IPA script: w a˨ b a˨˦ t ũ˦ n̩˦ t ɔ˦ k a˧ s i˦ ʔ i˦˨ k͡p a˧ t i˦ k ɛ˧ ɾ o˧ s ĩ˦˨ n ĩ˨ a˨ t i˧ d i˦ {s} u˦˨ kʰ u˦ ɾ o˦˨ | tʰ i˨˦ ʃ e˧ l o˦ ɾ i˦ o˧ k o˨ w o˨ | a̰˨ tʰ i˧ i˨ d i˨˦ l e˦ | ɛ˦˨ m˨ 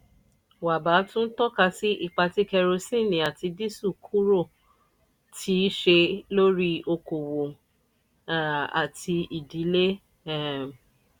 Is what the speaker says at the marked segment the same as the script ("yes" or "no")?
yes